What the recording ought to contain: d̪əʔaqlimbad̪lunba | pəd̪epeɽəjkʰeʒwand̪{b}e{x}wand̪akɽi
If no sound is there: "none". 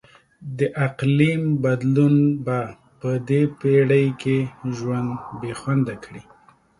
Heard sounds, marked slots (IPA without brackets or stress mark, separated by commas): b, x